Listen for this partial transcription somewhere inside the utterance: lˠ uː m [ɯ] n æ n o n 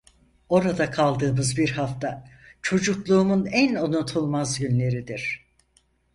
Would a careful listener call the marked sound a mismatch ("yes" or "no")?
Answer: yes